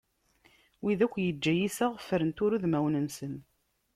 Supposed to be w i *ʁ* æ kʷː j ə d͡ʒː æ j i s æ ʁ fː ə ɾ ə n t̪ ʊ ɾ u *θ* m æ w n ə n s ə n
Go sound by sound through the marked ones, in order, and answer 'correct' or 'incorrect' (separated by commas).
incorrect, incorrect